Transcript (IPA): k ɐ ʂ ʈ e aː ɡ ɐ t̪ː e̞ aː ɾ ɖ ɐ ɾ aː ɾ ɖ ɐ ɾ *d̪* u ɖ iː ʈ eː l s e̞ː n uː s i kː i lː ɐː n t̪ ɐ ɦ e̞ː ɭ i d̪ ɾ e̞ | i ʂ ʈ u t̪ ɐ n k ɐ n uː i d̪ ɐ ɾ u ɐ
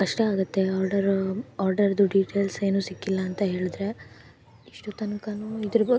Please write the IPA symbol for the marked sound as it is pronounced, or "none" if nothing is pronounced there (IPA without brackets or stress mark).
d̪